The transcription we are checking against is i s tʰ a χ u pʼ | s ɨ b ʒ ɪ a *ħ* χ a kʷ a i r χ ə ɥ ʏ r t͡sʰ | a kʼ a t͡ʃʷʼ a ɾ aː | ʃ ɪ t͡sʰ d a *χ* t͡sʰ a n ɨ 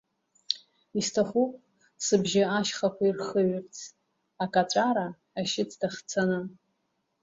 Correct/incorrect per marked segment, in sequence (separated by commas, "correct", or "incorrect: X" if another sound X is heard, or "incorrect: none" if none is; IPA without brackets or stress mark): incorrect: ʃ, correct